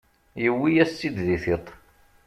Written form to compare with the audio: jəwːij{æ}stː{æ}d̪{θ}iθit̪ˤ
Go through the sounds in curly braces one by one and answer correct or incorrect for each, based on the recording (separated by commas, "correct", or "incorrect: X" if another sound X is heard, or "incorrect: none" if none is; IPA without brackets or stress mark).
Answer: correct, incorrect: i, incorrect: ð